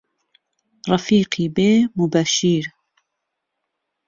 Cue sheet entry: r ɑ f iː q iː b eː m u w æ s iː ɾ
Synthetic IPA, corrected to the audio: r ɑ f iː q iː b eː m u b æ ʃ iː ɾ